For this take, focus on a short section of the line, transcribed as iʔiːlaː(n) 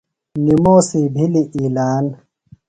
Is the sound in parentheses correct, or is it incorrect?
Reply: correct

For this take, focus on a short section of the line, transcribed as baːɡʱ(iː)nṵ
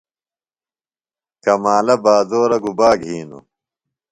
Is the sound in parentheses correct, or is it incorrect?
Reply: correct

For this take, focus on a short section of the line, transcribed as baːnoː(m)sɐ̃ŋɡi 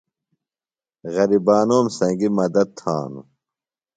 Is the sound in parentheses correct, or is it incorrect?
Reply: correct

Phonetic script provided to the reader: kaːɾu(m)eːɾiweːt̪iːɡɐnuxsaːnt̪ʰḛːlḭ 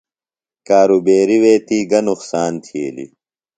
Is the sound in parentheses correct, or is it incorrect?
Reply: incorrect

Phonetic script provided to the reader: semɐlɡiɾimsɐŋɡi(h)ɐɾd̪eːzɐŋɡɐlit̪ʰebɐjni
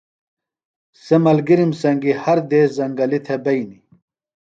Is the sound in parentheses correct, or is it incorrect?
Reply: correct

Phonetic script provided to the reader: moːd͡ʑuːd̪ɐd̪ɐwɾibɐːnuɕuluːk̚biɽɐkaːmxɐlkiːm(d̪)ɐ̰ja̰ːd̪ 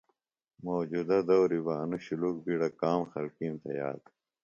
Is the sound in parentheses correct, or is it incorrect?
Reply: incorrect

